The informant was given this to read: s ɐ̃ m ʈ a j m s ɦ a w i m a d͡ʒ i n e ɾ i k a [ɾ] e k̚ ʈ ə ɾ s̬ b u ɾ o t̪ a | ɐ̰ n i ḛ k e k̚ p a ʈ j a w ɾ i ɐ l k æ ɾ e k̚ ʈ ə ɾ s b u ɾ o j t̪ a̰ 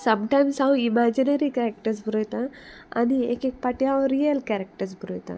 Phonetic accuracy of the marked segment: correct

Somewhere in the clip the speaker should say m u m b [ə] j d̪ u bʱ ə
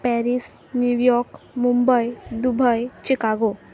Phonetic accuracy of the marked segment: correct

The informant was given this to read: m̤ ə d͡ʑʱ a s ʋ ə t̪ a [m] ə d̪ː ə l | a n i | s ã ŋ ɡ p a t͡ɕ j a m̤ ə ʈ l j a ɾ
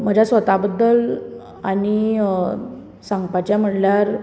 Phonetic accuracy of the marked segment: incorrect: b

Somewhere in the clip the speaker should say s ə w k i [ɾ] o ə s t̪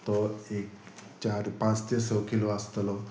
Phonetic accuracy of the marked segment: incorrect: l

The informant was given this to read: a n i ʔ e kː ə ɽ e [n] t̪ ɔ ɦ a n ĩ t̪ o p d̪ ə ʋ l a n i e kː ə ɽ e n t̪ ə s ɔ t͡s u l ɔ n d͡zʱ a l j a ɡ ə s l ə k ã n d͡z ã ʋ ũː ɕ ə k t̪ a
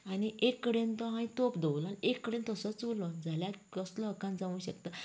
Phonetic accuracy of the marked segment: correct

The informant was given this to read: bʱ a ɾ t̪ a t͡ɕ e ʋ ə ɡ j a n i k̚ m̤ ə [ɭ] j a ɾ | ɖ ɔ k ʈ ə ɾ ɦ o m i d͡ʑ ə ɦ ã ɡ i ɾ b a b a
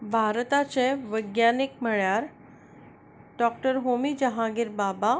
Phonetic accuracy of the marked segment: correct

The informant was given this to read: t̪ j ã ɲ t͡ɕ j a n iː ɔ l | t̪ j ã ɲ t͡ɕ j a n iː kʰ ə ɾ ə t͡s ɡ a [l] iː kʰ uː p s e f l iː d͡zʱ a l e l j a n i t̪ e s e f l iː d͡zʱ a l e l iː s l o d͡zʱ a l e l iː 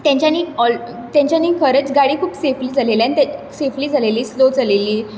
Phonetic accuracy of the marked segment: incorrect: ɽ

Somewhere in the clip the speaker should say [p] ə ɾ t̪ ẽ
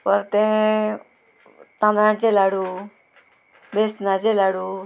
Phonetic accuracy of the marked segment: correct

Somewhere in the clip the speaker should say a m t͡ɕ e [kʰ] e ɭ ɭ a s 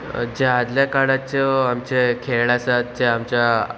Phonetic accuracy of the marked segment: correct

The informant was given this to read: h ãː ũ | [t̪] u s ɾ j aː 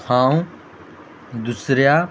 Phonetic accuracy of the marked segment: incorrect: d̪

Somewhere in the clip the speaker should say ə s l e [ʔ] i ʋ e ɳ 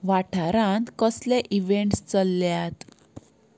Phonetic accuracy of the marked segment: correct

